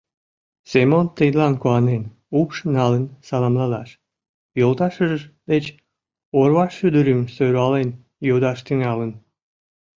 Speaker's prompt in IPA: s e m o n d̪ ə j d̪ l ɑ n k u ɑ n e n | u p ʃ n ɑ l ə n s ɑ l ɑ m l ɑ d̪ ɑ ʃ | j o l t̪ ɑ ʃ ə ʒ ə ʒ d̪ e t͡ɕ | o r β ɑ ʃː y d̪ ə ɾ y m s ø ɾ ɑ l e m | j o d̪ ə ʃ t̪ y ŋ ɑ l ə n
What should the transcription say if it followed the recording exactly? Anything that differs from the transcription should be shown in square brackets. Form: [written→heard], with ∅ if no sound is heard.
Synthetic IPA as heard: s e m o n [d̪→t̪] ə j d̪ l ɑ n k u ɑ n e n | u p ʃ n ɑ l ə n s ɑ l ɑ m l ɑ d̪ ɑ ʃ | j o l t̪ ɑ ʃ ə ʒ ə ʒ d̪ e t͡ɕ | o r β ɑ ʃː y d̪ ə ɾ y m s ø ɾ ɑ l e [m→n] | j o d̪ [ə→ɑ] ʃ t̪ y ŋ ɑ l ə n

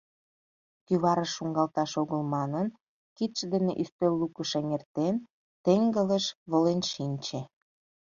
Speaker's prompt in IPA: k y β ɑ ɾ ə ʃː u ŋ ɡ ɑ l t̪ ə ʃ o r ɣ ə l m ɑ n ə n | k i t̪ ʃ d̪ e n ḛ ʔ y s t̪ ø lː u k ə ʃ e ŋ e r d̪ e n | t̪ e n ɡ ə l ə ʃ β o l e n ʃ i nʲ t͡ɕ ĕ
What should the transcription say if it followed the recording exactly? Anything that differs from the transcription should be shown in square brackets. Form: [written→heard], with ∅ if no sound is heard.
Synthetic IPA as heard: k y β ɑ ɾ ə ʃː u ŋ ɡ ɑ l t̪ [ə→ɑ] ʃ o [r→∅] ɣ ə l m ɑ n ə n | k i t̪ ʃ d̪ e n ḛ ʔ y s t̪ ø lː u k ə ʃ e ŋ e r [d̪→t̪] e n | t̪ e [n→ŋ] ɡ ə l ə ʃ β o l e n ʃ i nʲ t͡ɕ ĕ

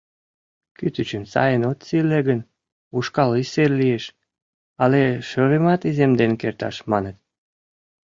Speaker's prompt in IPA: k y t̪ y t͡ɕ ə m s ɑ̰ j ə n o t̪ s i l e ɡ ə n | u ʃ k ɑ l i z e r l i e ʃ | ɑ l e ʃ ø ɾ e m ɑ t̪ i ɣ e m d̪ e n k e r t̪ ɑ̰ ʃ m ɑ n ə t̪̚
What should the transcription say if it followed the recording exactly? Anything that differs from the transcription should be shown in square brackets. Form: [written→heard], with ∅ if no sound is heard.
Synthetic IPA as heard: k y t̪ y t͡ɕ ə m s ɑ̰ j ə n o t̪ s i l e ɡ ə n | u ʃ k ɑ l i [z→s] e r l i e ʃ | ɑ l e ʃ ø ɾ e m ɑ t̪ i [ɣ→z] e m d̪ e n k e r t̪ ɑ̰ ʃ m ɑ n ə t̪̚

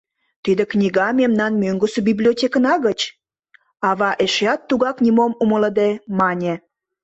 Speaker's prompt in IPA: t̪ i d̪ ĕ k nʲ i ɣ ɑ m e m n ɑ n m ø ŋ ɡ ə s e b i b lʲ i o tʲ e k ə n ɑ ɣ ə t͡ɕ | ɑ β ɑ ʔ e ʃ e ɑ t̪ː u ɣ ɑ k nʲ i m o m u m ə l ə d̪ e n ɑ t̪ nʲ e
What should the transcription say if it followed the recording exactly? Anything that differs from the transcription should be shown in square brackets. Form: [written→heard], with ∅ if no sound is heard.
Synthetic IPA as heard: t̪ i d̪ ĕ k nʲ i ɣ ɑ m e m n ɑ n m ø ŋ ɡ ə s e b i b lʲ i o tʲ e k ə n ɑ ɣ ə t͡ɕ | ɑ β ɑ ʔ e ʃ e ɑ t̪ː u ɣ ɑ k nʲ i m o m u m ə l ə d̪ e [n→m] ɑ [t̪→∅] nʲ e

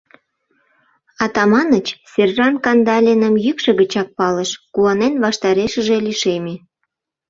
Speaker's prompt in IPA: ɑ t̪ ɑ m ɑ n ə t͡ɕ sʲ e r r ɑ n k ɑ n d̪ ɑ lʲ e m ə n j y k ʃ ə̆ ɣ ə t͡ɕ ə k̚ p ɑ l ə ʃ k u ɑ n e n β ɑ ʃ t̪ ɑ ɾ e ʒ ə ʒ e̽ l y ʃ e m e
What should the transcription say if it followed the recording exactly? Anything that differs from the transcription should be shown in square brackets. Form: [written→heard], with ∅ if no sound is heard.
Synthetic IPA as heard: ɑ t̪ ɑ m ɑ n ə t͡ɕ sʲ e r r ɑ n k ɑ n d̪ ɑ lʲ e [m→n] ə [n→m] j y k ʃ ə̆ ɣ ə t͡ɕ [ə→ɑ] k̚ p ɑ l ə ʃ k u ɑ n e n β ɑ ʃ t̪ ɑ ɾ e [ʒ→ʃ] ə ʒ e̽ l [y→i] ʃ e m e

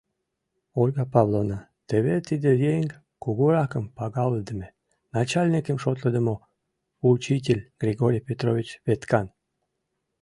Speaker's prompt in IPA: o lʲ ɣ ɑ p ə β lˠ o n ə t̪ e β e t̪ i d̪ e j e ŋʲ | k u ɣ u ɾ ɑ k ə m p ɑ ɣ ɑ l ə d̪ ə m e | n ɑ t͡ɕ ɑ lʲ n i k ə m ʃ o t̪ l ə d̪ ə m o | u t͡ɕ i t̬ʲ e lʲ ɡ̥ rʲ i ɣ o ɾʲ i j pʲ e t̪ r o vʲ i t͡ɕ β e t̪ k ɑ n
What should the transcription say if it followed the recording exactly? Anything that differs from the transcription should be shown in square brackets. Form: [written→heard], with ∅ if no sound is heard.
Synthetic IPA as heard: o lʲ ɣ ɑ p [ə→ɑ] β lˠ o n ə t̪ e β e t̪ i d̪ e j e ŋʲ | k u ɣ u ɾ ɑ k ə m p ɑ ɣ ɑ l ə d̪ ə m e | n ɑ t͡ɕ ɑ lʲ n i k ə m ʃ o t̪ l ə d̪ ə m o | u t͡ɕ i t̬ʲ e lʲ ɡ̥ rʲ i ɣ o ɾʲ i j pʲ e t̪ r o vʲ i t͡ɕ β e t̪ k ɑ n

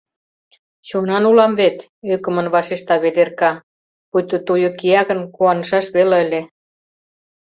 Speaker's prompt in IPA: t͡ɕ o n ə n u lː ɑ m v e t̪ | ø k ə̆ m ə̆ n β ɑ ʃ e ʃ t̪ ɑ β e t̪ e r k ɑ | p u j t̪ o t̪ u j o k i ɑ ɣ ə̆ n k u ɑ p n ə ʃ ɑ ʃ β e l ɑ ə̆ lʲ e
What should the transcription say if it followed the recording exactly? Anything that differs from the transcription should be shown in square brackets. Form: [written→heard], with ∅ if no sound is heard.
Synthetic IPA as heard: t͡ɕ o n [ə→ɑ] n u [lː→l] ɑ m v e t̪ | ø k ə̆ m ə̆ n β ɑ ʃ e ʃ t̪ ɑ β e [t̪→d̪] e r k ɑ | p u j t̪ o t̪ u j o k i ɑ ɣ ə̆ n k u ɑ [p→∅] n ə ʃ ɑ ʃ β e l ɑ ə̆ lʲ e

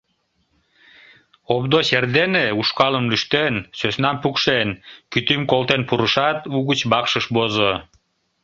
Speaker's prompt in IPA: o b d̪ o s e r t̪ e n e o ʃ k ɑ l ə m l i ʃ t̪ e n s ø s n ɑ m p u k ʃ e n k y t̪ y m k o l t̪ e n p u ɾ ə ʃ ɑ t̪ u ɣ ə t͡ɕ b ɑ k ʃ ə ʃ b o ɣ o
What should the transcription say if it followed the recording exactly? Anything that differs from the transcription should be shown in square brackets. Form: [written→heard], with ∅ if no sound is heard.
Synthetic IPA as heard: o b d̪ o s e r [t̪→d̪] e n e [o→u] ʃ k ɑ l ə m l [i→y] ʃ t̪ e n s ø s n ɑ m p u k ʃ e n k y t̪ y m k o l t̪ e n p u ɾ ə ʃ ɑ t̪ u ɣ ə t͡ɕ b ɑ k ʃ ə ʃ b o [ɣ→z] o

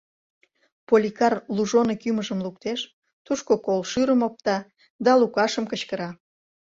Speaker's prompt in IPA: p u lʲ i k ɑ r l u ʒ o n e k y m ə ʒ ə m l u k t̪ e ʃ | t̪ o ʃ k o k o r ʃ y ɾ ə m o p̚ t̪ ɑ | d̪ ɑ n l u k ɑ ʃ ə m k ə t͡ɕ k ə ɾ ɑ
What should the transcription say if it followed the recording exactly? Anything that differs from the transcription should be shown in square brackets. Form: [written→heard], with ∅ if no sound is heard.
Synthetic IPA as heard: p [u→o] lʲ i k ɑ r l u ʒ o n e k y m ə ʒ ə m l u k t̪ e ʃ | t̪ [o→u] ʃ k o k o [r→l] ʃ y ɾ ə m o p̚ t̪ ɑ | d̪ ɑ [n→∅] l u k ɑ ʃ ə m k ə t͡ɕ k ə ɾ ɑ

